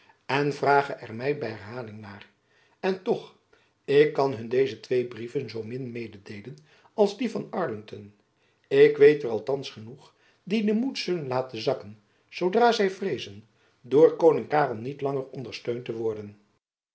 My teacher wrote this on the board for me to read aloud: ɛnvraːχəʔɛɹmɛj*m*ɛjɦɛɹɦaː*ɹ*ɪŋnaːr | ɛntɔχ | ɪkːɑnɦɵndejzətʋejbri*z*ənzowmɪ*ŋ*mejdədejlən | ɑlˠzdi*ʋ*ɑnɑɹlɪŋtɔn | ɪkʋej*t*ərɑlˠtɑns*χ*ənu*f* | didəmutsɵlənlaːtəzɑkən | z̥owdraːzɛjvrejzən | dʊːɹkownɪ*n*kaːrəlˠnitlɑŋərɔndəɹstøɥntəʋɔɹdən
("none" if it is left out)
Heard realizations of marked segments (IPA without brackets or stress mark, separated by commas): b, l, v, n, v, t, χ, χ, ŋ